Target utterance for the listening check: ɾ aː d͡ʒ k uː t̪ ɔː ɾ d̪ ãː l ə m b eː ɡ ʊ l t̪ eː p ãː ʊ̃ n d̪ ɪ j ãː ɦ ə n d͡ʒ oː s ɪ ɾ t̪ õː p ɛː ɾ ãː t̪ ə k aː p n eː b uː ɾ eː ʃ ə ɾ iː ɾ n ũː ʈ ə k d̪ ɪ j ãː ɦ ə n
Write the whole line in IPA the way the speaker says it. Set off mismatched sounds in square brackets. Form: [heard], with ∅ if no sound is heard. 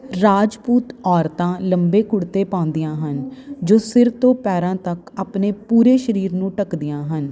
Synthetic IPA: ɾ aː d͡ʒ [p] uː t̪ ɔː ɾ [t̪] ãː l ə m b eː [k] ʊ [ɽ] t̪ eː p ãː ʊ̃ n d̪ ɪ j ãː ɦ ə n d͡ʒ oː s ɪ ɾ t̪ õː p ɛː ɾ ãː t̪ ə k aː p n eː [p] uː ɾ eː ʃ ə ɾ iː ɾ n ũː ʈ ə k d̪ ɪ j ãː ɦ ə n